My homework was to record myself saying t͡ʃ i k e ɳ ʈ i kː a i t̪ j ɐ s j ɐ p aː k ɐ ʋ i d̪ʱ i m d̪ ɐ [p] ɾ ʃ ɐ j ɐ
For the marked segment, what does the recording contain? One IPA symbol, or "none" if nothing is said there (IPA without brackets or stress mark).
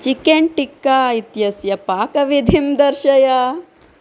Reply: none